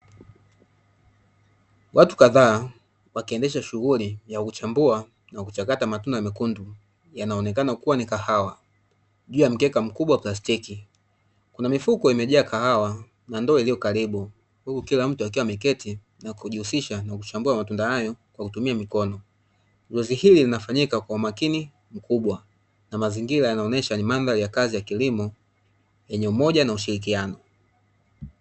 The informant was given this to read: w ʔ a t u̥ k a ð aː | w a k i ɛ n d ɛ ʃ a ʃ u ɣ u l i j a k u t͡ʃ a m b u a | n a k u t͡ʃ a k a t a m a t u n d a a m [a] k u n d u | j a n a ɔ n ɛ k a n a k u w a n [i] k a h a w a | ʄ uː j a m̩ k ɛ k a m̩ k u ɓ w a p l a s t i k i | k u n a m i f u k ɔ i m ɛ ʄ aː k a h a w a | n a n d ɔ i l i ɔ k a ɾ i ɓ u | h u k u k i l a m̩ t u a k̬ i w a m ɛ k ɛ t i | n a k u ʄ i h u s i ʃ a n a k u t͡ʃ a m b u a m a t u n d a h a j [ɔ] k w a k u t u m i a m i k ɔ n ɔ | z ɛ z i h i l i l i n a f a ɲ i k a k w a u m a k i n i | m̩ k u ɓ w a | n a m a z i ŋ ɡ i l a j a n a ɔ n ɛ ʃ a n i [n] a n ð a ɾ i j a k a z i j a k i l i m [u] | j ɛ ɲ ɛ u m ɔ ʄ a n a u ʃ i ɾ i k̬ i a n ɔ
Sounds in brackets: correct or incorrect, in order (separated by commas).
incorrect, correct, correct, incorrect, incorrect